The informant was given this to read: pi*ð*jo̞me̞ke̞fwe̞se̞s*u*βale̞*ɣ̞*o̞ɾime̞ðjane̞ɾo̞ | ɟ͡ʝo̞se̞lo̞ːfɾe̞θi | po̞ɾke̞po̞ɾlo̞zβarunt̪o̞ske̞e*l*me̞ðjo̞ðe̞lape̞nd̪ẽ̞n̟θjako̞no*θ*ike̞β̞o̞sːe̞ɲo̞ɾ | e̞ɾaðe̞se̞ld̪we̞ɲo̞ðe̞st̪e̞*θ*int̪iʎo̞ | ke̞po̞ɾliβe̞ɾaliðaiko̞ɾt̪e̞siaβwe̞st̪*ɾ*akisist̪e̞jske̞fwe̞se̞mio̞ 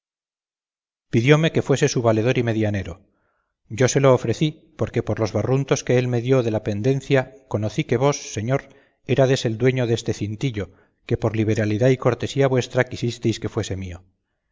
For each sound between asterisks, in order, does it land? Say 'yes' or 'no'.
yes, yes, no, yes, yes, yes, yes

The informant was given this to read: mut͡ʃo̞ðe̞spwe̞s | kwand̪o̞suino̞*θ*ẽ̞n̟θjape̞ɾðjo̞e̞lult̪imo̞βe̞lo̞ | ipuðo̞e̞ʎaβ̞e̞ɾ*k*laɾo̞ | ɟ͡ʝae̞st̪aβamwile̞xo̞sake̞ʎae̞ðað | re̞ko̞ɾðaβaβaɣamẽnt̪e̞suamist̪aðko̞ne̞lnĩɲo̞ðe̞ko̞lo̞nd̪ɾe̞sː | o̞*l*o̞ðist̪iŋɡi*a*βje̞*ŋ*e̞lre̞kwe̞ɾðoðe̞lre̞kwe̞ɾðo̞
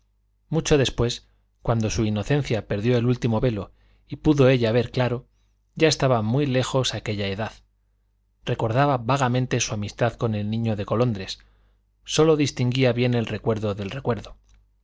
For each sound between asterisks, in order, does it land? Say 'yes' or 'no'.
yes, yes, yes, yes, no

